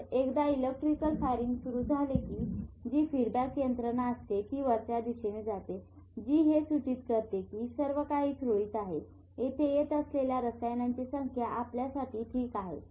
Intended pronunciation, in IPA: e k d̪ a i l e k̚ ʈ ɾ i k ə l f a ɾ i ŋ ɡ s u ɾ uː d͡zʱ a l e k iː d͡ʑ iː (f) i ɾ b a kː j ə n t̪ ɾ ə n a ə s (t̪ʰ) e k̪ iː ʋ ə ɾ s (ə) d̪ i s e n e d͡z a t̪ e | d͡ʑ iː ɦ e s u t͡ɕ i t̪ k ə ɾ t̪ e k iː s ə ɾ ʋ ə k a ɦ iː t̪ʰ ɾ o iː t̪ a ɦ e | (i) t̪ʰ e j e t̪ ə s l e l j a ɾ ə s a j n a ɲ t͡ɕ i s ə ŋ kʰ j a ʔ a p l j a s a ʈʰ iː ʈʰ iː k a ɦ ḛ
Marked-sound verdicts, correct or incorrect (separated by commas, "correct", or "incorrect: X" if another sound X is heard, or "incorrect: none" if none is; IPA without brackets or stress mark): correct, incorrect: t̪, incorrect: a, incorrect: e